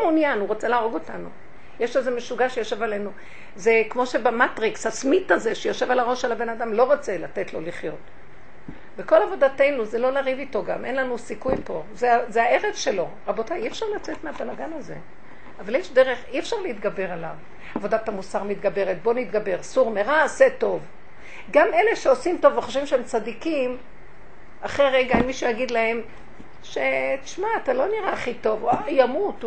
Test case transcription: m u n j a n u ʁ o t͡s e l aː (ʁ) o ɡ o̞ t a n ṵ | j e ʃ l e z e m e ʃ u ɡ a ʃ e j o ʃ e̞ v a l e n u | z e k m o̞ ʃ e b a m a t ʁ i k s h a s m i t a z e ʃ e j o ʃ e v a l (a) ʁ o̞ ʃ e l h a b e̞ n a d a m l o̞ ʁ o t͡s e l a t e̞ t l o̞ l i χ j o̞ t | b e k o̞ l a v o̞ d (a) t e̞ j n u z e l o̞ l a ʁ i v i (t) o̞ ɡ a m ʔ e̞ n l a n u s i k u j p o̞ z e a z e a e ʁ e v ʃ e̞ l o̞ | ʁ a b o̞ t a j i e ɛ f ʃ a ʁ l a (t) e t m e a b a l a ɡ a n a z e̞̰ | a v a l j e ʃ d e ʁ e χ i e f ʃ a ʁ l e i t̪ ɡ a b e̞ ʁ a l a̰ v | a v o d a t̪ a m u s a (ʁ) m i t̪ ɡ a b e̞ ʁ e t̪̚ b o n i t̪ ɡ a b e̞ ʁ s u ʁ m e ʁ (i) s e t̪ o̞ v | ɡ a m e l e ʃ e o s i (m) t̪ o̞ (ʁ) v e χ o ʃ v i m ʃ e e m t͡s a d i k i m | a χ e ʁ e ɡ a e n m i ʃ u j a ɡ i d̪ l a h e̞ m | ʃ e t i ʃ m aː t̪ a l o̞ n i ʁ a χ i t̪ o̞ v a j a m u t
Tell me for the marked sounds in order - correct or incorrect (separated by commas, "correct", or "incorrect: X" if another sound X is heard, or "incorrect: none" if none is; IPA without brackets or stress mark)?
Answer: correct, correct, correct, correct, incorrect: t͡s, correct, incorrect: a, correct, incorrect: v